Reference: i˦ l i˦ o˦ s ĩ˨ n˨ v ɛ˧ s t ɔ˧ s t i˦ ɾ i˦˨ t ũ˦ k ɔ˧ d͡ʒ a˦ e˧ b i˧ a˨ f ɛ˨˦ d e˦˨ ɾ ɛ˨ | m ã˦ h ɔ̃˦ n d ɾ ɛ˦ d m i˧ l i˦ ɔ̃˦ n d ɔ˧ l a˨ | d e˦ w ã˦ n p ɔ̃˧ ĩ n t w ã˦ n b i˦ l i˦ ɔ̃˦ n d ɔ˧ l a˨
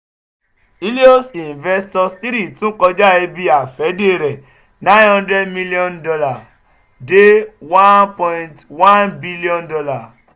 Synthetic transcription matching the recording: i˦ l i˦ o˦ s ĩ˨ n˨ v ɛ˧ s t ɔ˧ s t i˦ ɾ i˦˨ t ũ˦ k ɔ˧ d͡ʒ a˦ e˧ b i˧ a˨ f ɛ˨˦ d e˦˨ ɾ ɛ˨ | n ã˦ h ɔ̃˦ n d ɾ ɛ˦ d m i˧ l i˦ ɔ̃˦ n d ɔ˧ l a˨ | d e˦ w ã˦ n p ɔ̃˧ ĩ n t w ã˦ n b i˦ l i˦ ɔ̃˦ n d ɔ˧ l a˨